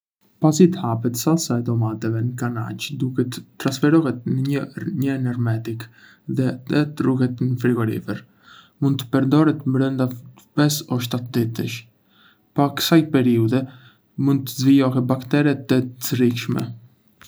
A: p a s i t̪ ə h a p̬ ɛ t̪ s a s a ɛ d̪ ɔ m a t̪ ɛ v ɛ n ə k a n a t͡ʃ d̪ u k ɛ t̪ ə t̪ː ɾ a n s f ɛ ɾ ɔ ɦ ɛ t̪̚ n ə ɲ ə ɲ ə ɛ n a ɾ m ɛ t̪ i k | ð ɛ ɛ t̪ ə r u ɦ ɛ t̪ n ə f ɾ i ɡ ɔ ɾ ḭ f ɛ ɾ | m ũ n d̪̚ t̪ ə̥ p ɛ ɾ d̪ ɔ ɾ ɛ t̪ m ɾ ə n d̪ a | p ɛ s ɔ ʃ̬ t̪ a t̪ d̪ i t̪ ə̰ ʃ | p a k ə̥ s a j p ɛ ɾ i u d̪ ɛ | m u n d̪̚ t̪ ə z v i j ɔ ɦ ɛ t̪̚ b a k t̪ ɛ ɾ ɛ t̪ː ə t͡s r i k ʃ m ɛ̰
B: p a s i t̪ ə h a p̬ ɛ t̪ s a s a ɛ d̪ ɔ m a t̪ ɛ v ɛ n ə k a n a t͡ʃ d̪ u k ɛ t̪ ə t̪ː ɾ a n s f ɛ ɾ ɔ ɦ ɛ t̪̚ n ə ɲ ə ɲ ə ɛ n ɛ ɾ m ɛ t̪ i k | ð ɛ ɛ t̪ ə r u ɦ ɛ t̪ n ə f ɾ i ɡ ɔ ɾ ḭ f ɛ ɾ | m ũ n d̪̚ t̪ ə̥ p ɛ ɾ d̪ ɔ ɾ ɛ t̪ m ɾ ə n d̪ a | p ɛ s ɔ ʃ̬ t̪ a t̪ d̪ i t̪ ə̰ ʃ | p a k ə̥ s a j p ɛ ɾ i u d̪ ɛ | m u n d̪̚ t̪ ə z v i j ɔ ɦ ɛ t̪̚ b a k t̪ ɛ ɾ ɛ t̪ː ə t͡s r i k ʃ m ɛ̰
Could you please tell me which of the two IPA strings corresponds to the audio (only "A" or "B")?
B